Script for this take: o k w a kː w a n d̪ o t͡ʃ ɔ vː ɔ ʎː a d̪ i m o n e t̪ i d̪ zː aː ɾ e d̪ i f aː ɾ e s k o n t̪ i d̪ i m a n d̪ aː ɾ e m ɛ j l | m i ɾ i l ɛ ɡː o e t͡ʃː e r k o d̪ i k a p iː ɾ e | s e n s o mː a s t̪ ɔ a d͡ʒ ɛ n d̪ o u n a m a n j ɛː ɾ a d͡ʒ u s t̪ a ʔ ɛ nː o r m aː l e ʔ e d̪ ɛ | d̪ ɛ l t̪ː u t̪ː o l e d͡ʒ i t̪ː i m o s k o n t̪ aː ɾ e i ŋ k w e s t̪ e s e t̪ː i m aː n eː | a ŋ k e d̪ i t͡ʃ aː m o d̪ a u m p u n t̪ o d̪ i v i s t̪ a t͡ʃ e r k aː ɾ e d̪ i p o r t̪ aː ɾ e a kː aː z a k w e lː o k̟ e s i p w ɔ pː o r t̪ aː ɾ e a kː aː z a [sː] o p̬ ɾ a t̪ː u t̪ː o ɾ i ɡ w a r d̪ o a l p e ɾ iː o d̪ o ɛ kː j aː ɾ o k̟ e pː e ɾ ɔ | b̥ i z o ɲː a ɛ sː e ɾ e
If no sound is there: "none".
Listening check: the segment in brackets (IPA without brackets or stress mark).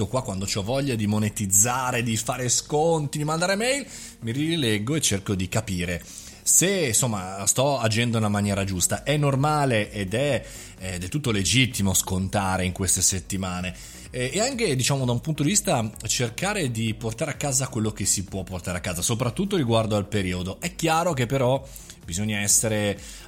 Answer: s